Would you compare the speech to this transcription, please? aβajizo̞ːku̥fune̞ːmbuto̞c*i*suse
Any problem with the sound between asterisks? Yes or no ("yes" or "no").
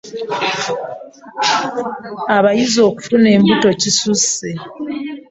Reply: no